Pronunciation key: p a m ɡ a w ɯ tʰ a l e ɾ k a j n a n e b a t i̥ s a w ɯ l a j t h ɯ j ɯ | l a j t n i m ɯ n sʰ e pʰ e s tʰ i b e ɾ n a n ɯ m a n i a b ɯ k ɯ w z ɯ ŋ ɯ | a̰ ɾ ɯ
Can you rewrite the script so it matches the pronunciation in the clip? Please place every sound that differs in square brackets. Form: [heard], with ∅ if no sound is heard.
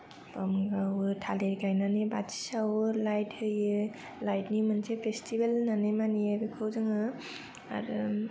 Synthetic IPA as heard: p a m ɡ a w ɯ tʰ a l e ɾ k a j n a n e b a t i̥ s a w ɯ l a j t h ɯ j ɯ | l a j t n i m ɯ n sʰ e pʰ e s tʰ i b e [l] n a n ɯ m a n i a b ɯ [kʰ] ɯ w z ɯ ŋ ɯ | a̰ ɾ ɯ